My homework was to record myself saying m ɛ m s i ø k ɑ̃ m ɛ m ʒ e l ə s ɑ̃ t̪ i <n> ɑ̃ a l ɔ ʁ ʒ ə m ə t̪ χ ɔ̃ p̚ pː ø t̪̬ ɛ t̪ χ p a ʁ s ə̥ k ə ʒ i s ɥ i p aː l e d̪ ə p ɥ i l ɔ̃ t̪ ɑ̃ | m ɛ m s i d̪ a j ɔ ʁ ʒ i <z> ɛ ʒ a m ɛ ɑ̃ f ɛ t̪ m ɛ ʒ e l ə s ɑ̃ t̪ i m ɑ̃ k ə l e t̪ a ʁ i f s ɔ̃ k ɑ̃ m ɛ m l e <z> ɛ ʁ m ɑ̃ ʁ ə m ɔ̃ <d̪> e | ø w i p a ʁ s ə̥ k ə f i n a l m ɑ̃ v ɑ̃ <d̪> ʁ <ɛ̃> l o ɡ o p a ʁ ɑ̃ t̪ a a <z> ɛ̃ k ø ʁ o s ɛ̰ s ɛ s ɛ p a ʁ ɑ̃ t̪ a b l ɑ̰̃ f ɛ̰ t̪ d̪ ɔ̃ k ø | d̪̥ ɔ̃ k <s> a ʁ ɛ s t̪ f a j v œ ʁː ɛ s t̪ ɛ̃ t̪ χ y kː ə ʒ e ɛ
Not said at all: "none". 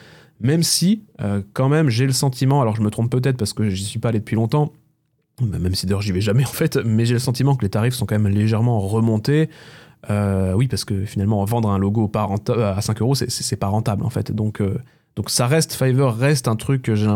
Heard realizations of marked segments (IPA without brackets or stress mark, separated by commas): m, v, ʒ, t̪, d̪, ɛ̃, s, s